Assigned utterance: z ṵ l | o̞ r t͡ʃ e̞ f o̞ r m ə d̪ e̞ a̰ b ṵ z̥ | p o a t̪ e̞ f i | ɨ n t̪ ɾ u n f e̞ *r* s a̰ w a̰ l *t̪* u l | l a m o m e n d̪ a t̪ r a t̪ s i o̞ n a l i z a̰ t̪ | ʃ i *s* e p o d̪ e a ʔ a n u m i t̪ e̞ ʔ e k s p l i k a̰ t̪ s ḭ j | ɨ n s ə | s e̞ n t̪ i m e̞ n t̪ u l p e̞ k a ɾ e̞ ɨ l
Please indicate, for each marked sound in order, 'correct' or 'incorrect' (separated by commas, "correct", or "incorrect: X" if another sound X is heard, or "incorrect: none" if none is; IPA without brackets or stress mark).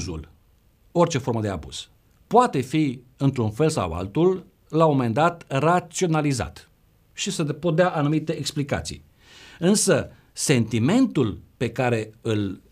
incorrect: l, correct, correct